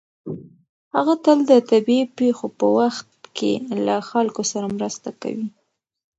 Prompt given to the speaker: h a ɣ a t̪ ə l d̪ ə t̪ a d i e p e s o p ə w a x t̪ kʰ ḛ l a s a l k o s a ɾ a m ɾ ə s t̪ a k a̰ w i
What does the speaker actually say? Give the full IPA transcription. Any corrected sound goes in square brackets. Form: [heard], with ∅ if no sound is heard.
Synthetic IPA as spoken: h a ɣ a t̪ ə l d̪ ə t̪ a [b] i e p e [x] o p ə w a x t̪ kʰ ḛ l a [x] a l k o s a ɾ a m ɾ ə s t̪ a k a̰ w i